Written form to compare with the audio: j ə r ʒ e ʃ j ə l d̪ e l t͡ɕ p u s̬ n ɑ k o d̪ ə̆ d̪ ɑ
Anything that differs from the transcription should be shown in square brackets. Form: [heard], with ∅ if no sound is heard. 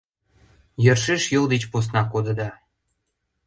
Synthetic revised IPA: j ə r [ʃ] e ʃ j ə l d̪ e [∅] t͡ɕ p [o] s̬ n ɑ k o d̪ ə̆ d̪ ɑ